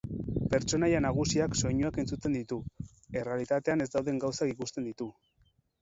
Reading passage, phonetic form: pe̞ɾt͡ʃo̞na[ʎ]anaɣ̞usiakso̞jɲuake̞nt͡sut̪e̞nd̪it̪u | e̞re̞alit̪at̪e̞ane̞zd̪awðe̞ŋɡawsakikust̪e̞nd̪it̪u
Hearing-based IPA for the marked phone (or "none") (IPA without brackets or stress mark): j